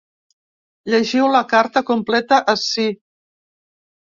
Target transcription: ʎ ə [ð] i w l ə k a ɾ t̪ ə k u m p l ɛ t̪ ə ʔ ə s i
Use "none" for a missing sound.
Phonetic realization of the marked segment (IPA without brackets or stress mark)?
ʒ